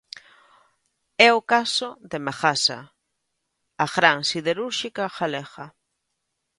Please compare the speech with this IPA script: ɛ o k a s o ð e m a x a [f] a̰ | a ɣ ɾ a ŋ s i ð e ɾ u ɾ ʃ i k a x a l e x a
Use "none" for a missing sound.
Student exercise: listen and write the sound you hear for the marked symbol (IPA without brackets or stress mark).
s